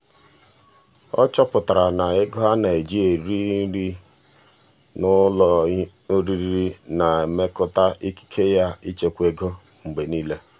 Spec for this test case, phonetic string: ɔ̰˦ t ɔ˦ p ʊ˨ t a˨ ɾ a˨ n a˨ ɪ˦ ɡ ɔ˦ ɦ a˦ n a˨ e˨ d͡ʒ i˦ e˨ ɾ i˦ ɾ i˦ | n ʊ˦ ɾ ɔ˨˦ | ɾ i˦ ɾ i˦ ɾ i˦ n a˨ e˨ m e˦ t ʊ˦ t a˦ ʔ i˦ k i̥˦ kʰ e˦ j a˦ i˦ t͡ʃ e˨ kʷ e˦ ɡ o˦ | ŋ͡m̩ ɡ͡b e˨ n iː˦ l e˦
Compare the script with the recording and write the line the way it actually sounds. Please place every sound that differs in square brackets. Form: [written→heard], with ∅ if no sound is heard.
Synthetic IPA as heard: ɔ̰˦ [t→t͡ʃ] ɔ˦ p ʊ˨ t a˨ ɾ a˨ n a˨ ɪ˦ ɡ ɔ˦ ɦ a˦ n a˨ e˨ d͡ʒ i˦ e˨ ɾ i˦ ɾ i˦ | n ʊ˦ [ɾ→l] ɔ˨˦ | ɾ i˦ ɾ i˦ ɾ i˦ n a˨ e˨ m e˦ [t→k] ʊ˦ t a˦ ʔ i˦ k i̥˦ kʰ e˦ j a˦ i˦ t͡ʃ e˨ kʷ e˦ ɡ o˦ | ŋ͡m̩ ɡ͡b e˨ n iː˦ l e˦